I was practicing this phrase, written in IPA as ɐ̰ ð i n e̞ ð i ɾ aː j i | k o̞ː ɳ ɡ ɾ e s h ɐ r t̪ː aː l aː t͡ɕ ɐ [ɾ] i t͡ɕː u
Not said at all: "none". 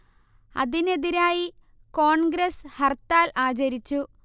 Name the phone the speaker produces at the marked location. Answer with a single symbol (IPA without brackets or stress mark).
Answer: ɾ